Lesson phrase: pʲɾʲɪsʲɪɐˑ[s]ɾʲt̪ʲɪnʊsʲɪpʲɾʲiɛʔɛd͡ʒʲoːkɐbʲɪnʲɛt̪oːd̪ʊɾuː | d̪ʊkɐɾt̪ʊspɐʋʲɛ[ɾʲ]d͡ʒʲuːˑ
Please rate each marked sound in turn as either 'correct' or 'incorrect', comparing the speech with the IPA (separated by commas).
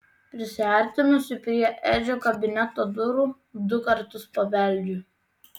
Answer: incorrect, incorrect